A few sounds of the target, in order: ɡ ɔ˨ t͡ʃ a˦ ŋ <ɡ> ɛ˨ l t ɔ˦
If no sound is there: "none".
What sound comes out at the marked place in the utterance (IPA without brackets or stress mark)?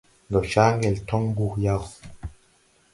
ɡ